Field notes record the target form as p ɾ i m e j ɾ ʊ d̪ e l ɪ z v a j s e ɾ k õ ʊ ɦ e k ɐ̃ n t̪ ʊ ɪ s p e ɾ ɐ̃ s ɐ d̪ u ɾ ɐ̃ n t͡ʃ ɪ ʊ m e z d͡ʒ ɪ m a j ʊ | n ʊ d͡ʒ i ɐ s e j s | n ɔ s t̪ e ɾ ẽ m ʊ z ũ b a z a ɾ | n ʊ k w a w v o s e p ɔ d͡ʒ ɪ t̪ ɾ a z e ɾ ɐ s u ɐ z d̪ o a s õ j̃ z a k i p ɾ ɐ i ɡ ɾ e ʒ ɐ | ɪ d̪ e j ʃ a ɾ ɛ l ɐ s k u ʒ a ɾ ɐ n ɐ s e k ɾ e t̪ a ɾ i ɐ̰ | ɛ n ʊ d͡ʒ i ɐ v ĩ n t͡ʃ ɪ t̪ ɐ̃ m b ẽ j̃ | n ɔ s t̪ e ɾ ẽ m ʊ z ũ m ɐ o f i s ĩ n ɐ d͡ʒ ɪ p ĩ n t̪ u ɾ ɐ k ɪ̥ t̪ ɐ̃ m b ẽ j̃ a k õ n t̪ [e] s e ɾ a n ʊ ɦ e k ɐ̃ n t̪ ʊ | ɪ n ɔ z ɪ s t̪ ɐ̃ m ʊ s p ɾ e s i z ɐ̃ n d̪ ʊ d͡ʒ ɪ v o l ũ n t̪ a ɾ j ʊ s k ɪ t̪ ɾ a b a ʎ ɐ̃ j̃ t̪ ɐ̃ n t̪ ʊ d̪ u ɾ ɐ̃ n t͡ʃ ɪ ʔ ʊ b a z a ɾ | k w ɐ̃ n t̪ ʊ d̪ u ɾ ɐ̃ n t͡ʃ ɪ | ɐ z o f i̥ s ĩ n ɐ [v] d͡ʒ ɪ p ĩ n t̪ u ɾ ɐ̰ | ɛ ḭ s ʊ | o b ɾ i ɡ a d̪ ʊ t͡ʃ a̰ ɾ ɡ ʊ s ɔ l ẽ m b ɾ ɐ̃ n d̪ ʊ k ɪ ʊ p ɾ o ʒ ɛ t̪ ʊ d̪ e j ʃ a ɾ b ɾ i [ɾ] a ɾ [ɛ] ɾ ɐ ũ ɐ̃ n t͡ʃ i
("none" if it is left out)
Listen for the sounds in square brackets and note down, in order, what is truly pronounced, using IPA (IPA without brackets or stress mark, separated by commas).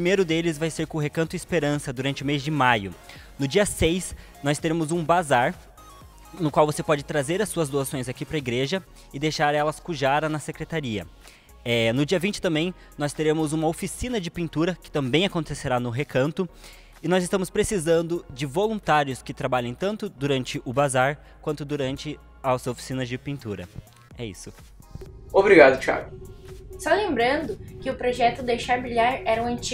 e, z, ʎ, ɛ